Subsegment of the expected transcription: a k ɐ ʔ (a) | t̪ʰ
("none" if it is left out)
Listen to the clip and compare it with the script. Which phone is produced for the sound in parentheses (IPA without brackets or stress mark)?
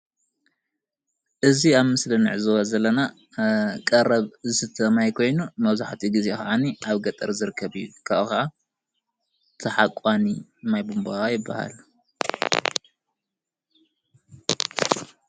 a